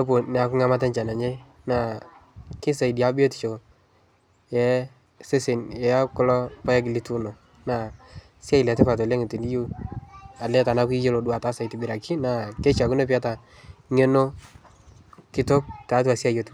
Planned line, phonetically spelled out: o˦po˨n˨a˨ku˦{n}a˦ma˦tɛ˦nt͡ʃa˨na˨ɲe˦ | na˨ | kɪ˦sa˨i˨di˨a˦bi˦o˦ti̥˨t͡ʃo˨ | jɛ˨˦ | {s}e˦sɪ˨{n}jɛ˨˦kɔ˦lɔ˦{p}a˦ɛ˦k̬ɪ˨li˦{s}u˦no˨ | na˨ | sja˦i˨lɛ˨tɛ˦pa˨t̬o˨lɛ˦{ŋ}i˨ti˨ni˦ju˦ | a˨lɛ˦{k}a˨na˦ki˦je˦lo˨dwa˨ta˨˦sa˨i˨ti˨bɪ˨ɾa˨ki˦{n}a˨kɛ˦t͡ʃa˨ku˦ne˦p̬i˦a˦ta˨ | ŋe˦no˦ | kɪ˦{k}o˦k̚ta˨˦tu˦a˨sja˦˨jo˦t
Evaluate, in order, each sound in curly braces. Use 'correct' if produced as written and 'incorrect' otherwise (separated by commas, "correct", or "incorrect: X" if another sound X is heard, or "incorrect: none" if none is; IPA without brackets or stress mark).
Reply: incorrect: ŋ, correct, correct, correct, incorrect: t, correct, incorrect: t, correct, incorrect: t